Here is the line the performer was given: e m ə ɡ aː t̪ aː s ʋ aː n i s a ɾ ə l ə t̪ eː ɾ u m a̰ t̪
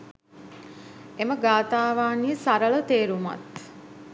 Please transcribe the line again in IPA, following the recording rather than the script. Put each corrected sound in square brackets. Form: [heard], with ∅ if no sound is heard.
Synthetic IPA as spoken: e m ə ɡ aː t̪ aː [∅] ʋ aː n i s a ɾ ə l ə t̪ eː ɾ u m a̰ t̪